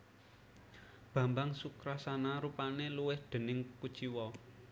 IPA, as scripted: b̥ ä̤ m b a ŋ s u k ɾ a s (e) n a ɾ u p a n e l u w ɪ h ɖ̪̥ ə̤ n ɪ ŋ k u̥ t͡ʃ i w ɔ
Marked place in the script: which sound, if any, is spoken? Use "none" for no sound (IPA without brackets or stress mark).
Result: a